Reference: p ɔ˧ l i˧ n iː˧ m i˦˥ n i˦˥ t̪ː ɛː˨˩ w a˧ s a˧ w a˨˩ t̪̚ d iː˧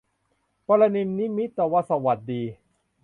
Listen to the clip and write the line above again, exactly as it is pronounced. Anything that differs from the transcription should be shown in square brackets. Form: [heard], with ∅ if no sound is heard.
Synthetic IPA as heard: p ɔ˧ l [a˧] n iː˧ [n] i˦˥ [m] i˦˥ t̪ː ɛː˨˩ w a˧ s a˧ w a˨˩ t̪̚ d iː˧